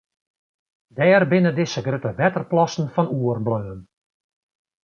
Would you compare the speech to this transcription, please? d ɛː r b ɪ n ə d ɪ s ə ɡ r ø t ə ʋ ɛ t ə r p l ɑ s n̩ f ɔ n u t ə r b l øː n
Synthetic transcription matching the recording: d ɛː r b ɪ n ə d ɪ s ə ɡ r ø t ə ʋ ɛ t ə r p l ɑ s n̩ f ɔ n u ə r b l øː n